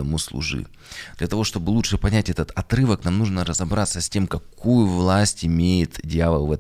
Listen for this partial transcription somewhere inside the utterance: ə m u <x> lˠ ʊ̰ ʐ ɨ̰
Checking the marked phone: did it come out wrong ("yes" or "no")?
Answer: yes